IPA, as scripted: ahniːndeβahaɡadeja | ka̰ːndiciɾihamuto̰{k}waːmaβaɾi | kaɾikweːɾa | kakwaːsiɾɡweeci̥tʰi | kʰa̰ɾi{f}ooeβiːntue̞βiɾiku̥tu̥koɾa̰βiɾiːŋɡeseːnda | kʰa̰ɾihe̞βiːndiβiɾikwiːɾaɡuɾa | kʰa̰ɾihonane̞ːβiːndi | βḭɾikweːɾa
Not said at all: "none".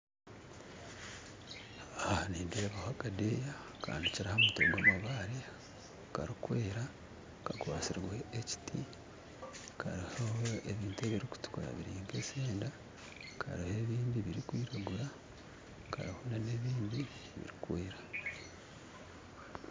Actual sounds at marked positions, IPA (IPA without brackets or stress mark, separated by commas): ɡ, h